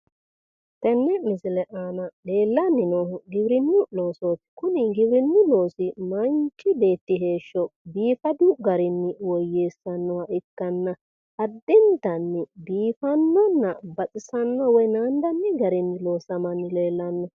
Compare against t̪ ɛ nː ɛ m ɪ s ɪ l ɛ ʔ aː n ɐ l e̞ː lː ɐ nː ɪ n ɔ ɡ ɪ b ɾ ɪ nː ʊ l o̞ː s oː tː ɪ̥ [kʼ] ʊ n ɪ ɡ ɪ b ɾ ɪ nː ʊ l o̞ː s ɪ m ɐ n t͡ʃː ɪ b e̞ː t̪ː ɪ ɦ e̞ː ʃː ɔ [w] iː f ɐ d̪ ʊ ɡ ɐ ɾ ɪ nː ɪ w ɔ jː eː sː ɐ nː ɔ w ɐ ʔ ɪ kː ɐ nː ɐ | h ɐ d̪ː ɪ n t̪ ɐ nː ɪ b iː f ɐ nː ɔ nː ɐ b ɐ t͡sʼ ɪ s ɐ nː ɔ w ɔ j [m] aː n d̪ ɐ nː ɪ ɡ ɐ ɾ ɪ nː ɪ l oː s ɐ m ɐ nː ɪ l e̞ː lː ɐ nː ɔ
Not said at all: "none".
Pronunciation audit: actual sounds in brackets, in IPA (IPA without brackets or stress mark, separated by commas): k, b, n